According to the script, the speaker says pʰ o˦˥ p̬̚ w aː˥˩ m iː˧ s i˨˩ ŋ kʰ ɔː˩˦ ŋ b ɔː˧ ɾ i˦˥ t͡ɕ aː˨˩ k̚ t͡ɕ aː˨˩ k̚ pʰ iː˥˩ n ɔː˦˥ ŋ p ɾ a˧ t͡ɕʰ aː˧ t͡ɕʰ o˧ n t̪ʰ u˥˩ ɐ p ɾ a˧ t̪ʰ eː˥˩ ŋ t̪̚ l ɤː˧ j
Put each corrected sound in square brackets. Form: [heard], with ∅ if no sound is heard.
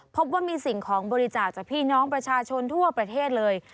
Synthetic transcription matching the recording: pʰ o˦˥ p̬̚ w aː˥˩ m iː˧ s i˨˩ ŋ kʰ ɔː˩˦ ŋ b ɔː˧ ɾ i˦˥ t͡ɕ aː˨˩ k̚ t͡ɕ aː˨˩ k̚ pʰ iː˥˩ n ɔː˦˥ ŋ p ɾ a˧ t͡ɕʰ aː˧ t͡ɕʰ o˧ n t̪ʰ u˥˩ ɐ p ɾ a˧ t̪ʰ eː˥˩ [∅] t̪̚ l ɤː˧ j